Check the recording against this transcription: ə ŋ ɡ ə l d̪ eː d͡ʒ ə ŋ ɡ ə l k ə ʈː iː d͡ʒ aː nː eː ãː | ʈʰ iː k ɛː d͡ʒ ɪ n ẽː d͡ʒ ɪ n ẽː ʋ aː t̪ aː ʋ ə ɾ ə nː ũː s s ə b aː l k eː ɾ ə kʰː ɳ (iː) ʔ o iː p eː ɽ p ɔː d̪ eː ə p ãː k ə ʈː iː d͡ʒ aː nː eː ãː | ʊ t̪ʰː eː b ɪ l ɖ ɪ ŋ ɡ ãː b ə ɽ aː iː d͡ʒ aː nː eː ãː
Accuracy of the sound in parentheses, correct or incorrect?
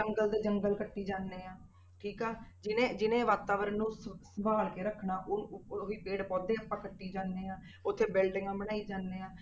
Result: incorrect